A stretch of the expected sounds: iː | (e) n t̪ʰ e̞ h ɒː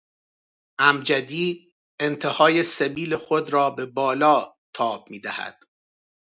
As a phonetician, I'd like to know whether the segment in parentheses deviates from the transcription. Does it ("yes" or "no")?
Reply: no